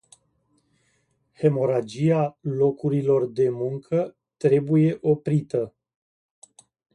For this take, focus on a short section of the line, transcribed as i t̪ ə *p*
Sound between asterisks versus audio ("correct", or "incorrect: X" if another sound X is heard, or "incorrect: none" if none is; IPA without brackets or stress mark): incorrect: none